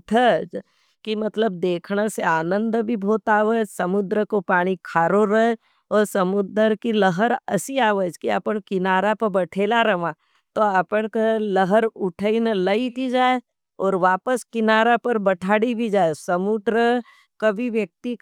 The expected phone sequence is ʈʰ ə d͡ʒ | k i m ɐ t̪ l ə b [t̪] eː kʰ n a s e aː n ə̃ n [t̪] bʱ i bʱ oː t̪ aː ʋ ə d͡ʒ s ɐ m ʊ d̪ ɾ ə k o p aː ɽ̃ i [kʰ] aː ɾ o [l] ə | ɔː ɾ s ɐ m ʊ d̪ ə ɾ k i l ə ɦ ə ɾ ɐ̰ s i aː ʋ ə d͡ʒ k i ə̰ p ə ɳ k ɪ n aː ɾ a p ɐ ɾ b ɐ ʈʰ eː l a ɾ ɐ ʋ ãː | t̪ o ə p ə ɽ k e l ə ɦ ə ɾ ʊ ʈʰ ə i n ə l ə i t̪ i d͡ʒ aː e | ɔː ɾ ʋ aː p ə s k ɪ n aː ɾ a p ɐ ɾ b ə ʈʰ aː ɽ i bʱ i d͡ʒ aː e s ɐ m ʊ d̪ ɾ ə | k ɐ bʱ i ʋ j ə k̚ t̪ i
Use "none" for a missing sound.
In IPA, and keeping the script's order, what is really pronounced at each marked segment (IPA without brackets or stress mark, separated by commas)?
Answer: d̪, d̪, kʰ, ɾ